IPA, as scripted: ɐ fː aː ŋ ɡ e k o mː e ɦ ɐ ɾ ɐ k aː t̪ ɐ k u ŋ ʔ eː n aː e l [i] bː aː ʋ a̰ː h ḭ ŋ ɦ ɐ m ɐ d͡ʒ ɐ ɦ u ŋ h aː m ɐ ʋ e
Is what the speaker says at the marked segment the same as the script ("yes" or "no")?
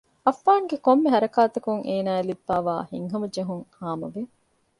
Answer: yes